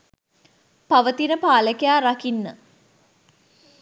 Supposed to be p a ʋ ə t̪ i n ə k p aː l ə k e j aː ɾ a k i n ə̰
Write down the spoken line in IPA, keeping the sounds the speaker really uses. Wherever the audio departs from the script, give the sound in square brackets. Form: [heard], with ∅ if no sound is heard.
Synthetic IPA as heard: p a ʋ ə t̪ i n ə [∅] p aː l ə k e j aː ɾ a k i [nː] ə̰